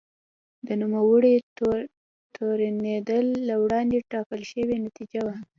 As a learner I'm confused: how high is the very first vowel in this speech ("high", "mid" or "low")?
mid